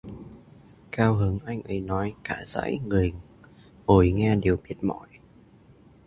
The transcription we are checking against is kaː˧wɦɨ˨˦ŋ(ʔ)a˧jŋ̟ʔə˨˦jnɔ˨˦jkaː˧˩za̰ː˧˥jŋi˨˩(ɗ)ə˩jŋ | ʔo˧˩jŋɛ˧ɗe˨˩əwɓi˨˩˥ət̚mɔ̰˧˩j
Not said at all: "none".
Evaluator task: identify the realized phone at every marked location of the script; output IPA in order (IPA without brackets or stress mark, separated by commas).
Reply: ʔ, none